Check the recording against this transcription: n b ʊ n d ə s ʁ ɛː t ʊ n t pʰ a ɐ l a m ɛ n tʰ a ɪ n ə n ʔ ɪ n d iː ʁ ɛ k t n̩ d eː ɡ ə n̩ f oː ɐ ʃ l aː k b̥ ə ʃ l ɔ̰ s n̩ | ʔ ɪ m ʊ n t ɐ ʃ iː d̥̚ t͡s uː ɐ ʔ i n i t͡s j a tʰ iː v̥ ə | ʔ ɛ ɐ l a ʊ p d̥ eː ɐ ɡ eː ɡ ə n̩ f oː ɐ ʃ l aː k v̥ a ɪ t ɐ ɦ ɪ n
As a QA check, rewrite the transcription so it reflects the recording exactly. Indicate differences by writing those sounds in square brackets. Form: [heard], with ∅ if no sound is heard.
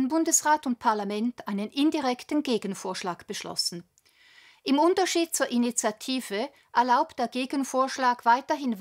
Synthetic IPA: n b ʊ n d ə s ʁ [aː] t ʊ n t pʰ a ɐ l a m ɛ n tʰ a ɪ n ə n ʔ ɪ n d [i] ʁ ɛ k t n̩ [ɡ] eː ɡ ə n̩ f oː ɐ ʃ l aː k b̥ ə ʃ l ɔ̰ s n̩ | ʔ ɪ m ʊ n t ɐ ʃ iː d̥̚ t͡s uː ɐ ʔ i n i t͡s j a tʰ iː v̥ ə | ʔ ɛ ɐ l a ʊ p d̥ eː ɐ ɡ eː ɡ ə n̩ f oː ɐ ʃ l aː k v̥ a ɪ t ɐ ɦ ɪ n